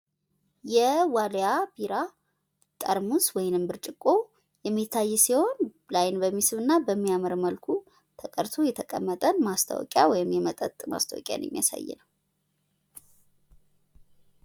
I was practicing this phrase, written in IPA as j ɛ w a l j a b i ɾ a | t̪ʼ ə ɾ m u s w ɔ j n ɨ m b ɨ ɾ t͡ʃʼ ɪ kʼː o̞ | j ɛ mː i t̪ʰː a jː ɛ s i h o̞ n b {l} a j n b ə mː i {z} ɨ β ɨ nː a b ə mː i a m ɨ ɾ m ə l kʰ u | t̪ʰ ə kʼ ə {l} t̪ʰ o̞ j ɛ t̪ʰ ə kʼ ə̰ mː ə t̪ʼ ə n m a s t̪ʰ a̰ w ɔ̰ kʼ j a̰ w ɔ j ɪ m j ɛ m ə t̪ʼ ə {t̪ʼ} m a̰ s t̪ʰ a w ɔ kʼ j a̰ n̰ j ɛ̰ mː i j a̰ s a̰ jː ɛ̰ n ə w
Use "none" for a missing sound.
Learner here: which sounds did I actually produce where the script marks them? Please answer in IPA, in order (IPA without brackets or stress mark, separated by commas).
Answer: l, s, ɾ, t̪ʼ